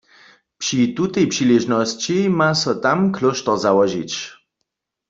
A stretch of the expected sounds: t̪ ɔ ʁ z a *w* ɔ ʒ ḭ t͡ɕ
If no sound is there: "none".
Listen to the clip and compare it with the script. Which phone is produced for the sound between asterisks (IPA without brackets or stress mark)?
w